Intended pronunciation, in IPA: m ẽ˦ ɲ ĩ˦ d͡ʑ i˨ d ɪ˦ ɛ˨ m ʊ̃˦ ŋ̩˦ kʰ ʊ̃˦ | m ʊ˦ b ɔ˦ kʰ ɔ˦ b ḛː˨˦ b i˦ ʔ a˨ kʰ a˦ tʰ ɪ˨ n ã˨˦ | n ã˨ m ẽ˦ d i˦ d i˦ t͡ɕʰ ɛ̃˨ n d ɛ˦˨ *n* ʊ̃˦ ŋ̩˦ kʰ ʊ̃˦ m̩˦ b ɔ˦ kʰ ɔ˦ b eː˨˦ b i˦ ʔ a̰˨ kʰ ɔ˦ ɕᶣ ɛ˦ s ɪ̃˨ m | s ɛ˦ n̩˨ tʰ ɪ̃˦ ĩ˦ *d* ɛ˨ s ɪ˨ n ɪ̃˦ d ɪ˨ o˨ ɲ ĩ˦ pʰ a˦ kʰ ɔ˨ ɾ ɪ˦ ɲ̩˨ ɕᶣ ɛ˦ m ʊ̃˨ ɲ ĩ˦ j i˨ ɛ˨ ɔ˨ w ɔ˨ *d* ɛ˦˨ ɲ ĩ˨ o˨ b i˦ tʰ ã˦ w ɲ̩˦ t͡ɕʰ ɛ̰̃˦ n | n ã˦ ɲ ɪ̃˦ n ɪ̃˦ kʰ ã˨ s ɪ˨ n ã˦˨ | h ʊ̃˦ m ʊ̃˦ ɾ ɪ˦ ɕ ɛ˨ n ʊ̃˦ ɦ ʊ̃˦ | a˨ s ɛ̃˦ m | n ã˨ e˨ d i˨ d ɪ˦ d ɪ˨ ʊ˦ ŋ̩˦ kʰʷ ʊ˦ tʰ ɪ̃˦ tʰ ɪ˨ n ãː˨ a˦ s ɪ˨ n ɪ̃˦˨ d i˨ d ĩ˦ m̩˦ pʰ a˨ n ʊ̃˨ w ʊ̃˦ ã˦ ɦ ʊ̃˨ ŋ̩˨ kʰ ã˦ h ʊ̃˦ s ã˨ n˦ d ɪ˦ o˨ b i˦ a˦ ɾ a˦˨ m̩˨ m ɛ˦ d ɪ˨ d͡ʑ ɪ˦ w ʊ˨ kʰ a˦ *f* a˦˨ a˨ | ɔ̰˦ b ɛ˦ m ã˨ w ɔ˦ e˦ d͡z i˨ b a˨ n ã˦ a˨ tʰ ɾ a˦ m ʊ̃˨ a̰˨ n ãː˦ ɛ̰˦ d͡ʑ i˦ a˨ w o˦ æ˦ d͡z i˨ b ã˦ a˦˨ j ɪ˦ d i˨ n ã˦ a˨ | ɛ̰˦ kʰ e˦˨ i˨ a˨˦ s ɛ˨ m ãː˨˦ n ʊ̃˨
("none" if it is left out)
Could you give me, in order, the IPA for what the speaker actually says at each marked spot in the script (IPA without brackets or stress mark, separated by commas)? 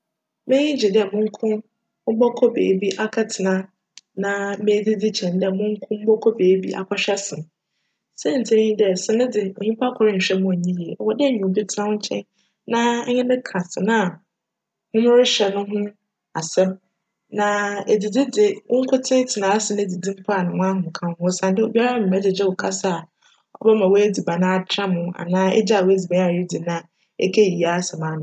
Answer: m, d, d, s